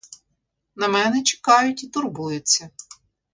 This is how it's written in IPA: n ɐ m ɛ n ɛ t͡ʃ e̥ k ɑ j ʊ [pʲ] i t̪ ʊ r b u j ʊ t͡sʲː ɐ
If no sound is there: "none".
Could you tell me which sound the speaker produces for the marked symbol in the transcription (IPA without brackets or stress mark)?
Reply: tʲ